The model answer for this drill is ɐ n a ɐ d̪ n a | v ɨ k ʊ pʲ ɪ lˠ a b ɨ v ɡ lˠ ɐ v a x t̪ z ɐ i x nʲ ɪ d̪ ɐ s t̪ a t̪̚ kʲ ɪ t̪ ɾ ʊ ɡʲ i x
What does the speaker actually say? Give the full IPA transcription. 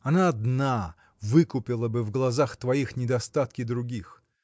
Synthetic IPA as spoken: ɐ n a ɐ d̪ n a | v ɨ k ʊ pʲ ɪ lˠ ə b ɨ v ɡ lˠ ɐ z a x t̪ v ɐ i x nʲ ɪ d̪ ɐ s t̪ a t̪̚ kʲ ɪ d̪ ɾ ʊ ɡʲ i x